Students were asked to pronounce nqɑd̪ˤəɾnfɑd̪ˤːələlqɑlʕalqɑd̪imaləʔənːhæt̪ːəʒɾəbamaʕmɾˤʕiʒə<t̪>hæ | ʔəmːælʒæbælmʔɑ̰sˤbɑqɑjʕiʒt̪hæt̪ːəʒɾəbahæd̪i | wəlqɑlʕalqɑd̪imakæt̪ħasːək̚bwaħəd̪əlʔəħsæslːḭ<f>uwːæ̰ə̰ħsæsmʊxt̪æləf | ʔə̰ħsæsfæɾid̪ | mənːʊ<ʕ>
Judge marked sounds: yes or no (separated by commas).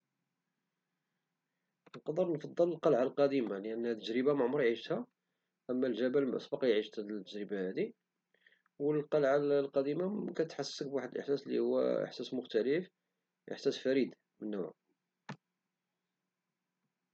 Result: yes, no, yes